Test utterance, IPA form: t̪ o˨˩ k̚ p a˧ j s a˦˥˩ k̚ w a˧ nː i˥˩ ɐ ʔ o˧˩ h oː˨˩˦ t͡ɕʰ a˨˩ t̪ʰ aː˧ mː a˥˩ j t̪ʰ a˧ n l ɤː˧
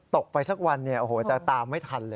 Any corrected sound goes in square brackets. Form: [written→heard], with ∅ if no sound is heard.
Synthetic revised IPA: t̪ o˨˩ k̚ p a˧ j s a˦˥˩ k̚ w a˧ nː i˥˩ ɐ ʔ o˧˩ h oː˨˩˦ [t͡ɕʰ→t͡ɕ] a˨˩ [t̪ʰ→t̪] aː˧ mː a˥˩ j t̪ʰ a˧ n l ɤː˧